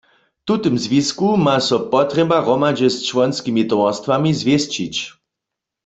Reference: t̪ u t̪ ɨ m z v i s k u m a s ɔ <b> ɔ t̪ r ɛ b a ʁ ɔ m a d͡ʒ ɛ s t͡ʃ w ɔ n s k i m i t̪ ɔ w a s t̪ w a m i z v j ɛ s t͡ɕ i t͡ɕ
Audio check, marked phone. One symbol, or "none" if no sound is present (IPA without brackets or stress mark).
p